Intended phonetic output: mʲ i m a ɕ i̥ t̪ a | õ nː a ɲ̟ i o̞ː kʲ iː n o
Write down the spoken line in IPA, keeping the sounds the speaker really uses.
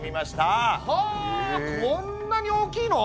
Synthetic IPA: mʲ i m a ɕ i̥ t̪ a | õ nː a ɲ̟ i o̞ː kʲ iː n o